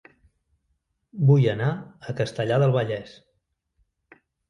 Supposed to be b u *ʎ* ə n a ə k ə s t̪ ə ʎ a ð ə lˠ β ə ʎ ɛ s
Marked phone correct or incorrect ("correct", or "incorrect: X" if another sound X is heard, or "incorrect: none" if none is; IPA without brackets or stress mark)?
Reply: incorrect: j